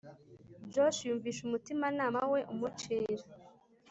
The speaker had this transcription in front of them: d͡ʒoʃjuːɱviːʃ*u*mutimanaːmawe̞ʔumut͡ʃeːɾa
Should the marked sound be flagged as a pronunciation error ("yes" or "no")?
no